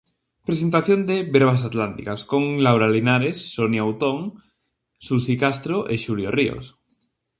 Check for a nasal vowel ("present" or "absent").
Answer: absent